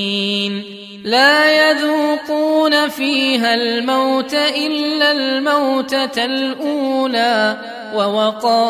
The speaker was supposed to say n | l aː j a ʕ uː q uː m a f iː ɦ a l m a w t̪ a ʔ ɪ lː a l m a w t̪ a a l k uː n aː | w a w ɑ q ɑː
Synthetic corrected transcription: n | l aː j a ð uː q uː n a f iː ɦ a l m a w t̪ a ʔ ɪ lː a l m a w t̪ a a l ʔ uː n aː | w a w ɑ q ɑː